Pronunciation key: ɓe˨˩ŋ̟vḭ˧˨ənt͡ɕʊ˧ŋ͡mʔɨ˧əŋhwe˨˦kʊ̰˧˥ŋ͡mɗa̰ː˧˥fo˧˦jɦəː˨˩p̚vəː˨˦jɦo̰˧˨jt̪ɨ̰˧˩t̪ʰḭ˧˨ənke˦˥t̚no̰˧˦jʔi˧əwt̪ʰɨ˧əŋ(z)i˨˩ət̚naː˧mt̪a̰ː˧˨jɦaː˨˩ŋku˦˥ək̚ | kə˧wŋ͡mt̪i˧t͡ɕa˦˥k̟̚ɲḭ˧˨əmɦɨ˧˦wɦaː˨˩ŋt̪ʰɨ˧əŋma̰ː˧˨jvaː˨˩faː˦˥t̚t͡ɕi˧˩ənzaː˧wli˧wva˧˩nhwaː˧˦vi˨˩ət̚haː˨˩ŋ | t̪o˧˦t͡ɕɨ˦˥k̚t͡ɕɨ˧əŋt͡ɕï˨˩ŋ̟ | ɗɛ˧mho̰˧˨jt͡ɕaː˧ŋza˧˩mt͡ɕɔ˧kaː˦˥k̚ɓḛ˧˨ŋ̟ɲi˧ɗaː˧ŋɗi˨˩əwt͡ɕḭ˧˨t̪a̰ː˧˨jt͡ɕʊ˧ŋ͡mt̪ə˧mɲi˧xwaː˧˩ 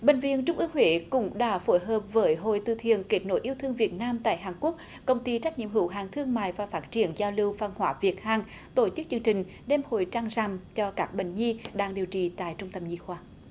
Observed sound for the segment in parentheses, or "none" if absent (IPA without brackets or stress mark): v